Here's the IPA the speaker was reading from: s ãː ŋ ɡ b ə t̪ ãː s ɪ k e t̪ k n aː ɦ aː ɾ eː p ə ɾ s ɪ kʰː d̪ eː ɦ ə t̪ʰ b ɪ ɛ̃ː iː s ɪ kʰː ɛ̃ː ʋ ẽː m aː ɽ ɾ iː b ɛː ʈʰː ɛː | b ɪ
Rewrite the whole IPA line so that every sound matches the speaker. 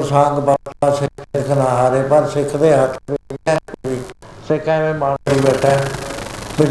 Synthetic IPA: s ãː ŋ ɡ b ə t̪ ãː s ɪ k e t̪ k n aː ɦ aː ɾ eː p ə ɾ s ɪ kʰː d̪ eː ɦ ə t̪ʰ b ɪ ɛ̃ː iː s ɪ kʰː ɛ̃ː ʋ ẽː m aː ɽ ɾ iː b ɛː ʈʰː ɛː | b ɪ